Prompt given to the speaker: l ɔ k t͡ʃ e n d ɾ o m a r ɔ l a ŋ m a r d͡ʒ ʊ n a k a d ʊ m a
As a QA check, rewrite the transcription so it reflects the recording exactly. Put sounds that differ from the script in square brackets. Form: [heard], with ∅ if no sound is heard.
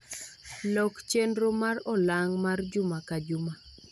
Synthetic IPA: l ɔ k t͡ʃ e n d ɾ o m a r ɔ l a ŋ m a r d͡ʒ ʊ [m] a k a [d͡ʒ] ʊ m a